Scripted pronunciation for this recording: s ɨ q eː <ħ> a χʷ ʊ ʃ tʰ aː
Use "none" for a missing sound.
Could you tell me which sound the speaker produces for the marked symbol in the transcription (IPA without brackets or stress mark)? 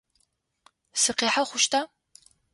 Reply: ħ